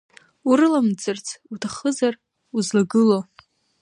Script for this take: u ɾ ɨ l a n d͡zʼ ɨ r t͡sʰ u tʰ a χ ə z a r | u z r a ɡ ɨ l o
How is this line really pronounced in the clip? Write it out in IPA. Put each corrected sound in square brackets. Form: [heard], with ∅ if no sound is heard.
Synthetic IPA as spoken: u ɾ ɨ l a [m] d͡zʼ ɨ r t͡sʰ u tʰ a χ ə z a r | u z [l] a ɡ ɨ l o